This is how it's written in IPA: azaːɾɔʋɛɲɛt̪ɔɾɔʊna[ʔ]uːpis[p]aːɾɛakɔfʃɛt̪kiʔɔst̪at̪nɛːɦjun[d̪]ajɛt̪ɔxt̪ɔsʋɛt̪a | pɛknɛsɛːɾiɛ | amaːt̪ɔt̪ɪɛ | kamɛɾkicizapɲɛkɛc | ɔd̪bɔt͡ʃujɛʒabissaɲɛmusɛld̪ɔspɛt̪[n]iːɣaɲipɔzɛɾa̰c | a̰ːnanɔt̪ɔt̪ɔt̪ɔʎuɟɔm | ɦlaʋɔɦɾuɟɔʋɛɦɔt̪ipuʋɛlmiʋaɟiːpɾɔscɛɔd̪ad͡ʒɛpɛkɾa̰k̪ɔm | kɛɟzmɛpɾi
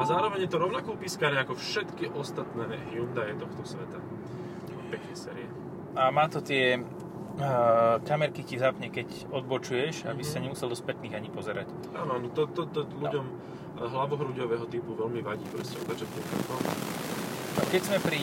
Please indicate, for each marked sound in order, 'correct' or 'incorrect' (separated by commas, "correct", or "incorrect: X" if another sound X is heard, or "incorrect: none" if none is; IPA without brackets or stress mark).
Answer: incorrect: k, incorrect: k, correct, correct